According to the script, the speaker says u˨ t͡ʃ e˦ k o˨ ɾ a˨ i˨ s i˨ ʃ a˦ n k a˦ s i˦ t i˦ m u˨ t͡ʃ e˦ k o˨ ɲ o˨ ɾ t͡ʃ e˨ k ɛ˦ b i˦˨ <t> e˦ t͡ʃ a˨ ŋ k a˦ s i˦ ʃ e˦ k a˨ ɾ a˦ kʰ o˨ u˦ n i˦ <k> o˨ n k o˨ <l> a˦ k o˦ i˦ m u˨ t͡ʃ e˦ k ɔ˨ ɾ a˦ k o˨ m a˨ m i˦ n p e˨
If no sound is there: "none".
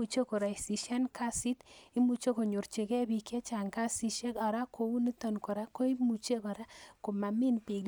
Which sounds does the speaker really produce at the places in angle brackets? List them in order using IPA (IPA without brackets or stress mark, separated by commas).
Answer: k, t, ɾ